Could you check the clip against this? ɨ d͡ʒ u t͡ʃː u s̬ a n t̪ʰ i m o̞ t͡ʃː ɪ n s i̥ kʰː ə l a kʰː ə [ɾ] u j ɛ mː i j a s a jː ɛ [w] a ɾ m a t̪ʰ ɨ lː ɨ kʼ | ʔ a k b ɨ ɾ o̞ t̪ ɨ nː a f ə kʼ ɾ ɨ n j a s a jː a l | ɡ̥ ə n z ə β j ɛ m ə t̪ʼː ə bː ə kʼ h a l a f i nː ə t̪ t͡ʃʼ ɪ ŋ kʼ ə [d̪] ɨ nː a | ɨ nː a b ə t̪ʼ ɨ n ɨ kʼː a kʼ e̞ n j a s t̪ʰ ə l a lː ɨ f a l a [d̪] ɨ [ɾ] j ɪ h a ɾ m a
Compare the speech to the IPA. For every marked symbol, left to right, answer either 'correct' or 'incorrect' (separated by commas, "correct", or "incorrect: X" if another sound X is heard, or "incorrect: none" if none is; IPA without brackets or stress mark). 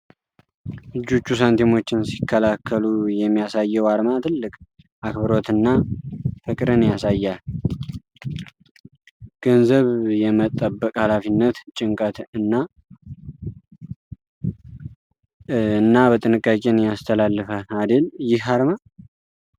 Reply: incorrect: l, correct, incorrect: t̪, correct, incorrect: l